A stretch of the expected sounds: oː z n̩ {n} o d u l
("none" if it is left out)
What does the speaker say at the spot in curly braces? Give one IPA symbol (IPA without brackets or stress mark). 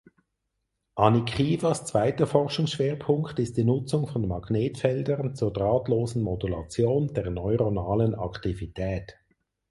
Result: m